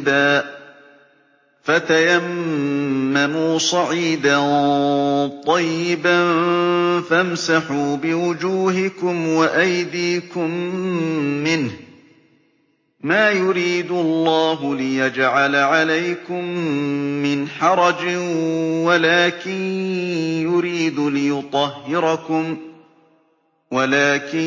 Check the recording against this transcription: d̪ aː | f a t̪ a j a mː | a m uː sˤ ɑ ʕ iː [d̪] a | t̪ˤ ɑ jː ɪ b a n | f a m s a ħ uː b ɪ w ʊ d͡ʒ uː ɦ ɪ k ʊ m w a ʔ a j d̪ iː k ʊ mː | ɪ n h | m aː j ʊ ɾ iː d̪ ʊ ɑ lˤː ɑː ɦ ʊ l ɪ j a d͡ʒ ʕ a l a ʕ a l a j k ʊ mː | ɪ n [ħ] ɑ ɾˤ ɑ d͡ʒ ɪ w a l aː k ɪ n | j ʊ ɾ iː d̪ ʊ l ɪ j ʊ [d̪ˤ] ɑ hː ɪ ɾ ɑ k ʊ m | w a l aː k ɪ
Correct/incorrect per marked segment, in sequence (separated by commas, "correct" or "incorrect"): correct, correct, incorrect